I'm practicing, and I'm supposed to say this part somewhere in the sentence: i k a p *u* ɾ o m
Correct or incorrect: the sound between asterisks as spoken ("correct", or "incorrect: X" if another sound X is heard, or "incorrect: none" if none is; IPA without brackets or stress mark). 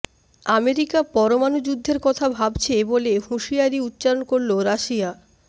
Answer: incorrect: ɔ